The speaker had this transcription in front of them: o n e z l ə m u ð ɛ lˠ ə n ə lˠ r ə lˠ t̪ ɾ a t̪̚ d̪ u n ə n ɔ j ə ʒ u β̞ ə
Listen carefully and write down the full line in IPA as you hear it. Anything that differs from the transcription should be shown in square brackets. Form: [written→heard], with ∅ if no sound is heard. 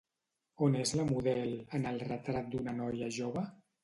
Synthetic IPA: o n e z l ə m u ð ɛ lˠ ə n ə lˠ r ə [lˠ→∅] t̪ ɾ a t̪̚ d̪ u n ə n ɔ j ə ʒ [u→o] β̞ ə